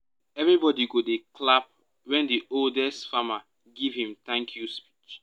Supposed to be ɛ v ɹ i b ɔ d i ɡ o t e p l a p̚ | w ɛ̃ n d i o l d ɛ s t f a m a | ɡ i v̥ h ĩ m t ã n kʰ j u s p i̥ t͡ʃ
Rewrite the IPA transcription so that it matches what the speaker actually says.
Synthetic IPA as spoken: ɛ v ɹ i b ɔ d i ɡ o d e k l a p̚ | w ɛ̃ n d i o l d ɛ s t f a m a | ɡ i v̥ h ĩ m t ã ŋ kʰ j u s p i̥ t͡ʃ